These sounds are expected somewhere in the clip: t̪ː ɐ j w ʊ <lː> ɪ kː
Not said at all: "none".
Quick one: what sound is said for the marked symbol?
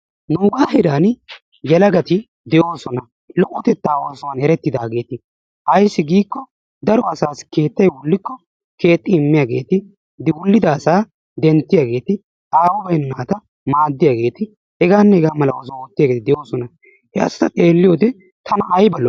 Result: lː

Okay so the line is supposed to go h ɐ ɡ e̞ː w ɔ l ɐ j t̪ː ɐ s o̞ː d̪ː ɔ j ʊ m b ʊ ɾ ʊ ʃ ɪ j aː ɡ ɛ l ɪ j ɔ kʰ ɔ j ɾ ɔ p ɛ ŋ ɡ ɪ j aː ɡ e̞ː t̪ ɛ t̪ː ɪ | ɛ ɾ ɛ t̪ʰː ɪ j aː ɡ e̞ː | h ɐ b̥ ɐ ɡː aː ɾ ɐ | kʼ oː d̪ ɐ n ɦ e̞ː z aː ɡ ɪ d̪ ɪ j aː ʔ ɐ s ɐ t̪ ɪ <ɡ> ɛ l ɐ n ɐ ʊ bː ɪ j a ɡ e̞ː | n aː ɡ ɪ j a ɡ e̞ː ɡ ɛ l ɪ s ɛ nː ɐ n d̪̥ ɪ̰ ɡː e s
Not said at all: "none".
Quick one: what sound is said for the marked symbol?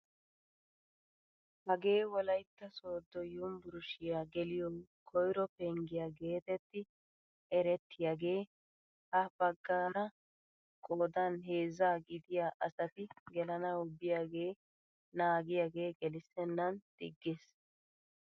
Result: ɡ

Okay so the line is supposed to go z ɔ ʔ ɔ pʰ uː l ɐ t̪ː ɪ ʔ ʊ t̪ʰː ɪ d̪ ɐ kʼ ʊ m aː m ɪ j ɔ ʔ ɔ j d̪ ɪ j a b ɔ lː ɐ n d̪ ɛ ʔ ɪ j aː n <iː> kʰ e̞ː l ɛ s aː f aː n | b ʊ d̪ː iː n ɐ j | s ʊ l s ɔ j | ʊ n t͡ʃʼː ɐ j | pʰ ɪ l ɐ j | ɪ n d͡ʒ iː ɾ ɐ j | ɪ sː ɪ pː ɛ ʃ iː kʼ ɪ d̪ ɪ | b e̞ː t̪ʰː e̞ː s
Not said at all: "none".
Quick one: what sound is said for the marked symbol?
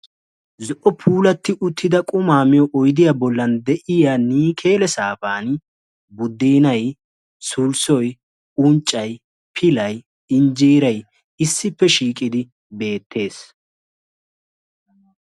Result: iː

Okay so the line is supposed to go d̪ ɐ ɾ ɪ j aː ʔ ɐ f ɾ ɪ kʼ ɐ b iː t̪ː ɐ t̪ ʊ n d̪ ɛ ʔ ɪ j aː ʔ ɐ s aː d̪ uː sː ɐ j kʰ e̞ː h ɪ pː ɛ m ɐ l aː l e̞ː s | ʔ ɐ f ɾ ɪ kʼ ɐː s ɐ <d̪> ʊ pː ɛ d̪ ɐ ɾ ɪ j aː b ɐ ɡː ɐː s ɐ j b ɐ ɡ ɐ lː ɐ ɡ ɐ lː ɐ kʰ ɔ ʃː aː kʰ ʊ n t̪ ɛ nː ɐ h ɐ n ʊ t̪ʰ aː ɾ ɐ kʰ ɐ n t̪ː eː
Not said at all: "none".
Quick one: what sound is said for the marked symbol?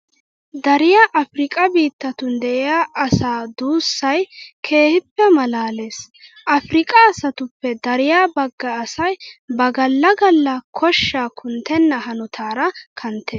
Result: t̪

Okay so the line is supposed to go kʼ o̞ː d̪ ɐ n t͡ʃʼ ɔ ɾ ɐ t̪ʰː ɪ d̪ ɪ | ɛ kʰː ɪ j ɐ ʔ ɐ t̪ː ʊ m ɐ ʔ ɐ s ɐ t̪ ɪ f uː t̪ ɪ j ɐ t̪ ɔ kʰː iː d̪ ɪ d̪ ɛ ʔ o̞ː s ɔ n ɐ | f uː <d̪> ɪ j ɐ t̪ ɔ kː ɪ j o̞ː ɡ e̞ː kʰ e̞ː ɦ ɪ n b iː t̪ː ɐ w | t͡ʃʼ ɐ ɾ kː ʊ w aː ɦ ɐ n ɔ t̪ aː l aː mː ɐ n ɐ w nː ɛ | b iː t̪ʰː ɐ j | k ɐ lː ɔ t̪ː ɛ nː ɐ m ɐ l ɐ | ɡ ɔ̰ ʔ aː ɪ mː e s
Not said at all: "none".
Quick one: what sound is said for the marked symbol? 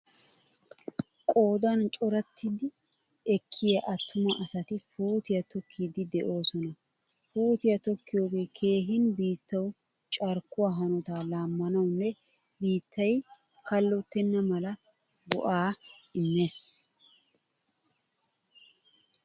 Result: t̪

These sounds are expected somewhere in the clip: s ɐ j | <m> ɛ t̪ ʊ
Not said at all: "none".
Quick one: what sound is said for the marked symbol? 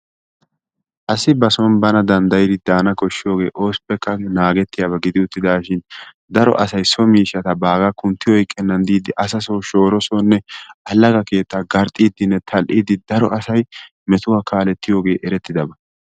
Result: m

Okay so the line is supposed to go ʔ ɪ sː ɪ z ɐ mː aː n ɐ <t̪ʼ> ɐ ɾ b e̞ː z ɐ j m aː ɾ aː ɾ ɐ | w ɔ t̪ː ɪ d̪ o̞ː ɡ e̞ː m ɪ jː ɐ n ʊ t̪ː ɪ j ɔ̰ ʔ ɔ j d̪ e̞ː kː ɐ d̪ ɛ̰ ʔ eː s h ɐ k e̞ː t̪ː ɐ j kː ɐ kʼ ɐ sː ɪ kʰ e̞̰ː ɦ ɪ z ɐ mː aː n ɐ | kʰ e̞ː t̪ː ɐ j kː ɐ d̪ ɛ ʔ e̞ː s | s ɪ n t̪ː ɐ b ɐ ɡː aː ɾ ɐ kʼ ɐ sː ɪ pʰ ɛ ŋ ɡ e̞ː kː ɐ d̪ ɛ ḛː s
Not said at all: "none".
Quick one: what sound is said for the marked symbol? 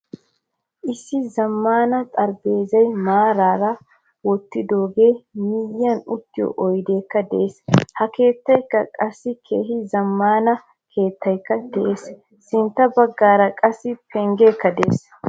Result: t̪ʼ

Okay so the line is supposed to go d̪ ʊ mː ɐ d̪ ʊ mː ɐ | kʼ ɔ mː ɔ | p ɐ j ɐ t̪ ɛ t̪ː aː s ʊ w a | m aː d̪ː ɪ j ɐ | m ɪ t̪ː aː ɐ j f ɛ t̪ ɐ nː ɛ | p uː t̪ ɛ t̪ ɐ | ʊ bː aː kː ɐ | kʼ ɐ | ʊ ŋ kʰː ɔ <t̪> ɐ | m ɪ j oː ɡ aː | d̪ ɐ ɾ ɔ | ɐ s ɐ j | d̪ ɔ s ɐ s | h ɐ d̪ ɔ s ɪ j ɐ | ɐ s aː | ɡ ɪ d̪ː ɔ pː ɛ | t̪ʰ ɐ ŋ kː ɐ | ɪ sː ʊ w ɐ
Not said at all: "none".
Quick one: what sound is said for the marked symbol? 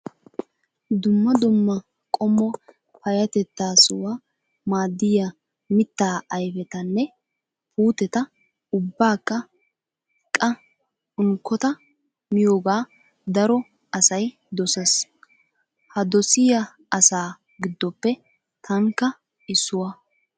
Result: t̪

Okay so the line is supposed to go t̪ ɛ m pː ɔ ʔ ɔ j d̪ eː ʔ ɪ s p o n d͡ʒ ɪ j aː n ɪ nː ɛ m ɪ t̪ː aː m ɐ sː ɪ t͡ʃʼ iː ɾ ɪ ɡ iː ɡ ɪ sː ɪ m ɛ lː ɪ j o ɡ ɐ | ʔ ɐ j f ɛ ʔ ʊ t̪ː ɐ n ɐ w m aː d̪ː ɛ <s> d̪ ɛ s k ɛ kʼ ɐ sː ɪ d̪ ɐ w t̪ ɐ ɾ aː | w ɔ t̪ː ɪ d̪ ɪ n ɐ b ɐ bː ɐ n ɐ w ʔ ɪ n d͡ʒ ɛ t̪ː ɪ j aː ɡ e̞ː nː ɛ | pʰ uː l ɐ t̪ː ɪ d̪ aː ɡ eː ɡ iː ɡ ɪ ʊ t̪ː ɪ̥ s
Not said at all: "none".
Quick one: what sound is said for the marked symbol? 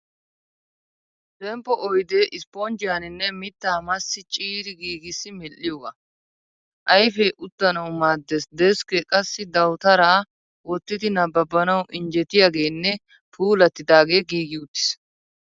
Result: s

